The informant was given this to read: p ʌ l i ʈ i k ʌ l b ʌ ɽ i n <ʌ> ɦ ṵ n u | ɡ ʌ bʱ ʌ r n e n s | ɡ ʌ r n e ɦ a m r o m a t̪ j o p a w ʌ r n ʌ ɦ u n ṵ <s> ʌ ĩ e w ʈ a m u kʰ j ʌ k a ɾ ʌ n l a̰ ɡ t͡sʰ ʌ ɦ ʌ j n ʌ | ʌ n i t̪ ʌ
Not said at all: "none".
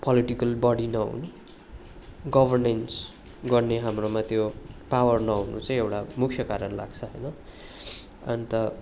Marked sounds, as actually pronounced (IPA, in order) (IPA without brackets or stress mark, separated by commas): ʌ, t͡s